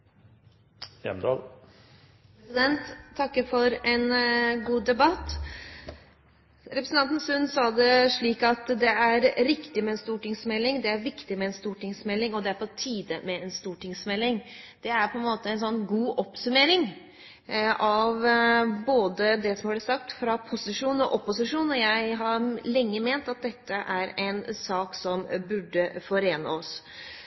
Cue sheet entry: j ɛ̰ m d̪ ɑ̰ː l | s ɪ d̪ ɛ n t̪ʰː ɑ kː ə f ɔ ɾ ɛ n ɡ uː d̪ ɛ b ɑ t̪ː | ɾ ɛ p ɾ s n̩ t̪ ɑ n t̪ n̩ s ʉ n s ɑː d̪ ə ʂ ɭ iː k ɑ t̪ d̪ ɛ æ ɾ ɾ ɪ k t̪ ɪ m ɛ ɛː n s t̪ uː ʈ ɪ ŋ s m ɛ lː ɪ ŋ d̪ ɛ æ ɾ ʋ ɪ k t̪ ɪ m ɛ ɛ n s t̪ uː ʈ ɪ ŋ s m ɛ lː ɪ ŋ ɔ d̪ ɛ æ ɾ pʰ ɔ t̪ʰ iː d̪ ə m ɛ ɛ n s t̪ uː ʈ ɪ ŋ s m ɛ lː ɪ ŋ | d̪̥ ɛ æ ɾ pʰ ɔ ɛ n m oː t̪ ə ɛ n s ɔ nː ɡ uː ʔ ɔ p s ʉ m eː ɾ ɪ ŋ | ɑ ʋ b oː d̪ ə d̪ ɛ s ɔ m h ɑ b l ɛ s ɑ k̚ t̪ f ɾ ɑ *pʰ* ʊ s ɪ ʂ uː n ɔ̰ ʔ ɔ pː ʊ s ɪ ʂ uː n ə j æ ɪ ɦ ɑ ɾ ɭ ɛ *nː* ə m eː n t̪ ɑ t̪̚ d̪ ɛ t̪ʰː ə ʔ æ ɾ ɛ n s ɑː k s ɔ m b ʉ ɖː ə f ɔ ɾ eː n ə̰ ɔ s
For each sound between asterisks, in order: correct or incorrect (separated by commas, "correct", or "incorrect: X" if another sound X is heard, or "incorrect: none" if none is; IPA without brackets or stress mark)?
correct, incorrect: ŋː